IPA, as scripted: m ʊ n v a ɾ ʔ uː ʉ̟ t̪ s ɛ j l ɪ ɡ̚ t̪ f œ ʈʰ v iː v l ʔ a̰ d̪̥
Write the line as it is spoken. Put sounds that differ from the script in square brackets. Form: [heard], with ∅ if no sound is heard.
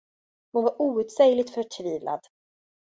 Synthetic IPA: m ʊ n v a ɾ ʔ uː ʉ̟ t̪ s ɛ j l ɪ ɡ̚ t̪ f œ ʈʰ v iː v l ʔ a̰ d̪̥